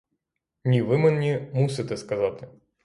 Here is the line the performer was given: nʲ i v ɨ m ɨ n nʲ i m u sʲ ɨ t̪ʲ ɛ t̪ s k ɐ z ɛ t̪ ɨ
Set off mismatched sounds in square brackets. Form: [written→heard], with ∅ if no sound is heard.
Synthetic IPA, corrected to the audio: nʲ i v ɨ m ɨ n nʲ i m u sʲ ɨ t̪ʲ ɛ [t̪→∅] s k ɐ z [ɛ→a] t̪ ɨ